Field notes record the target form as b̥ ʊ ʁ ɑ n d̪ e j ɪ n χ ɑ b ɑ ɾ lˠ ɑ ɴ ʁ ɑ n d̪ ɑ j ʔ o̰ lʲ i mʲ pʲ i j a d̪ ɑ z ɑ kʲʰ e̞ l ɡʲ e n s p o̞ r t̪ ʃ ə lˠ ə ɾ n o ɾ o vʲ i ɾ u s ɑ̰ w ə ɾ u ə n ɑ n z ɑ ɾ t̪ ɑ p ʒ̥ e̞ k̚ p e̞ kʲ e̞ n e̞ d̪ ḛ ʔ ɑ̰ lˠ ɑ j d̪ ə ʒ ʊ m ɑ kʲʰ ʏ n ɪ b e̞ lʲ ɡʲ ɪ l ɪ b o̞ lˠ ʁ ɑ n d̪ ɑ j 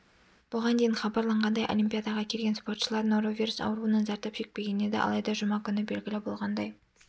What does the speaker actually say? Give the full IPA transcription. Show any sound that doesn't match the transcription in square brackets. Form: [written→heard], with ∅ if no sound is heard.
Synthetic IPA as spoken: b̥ ʊ ʁ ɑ n d̪ e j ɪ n χ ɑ b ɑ ɾ lˠ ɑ ɴ ʁ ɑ n d̪ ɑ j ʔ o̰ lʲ i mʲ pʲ i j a d̪ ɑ [z→ʁ] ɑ kʲʰ e̞ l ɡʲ e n s p o̞ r t̪ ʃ ə lˠ [ə→ɑ] ɾ n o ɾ o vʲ i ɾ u s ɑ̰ w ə ɾ u ə n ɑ n z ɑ ɾ t̪ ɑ p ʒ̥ e̞ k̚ p e̞ [kʲ→ɡʲ] e̞ n e̞ d̪ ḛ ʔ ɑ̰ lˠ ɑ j d̪ [ə→ɑ] ʒ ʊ m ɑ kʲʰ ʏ n ɪ b e̞ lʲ ɡʲ ɪ l ɪ b o̞ lˠ ʁ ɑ n d̪ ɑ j